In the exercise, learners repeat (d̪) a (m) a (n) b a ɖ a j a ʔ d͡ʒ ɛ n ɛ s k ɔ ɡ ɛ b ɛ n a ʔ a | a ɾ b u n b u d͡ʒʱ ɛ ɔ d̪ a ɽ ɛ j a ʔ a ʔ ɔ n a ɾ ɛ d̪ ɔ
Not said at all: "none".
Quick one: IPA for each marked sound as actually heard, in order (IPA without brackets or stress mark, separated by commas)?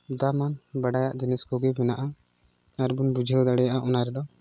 d̪, m, n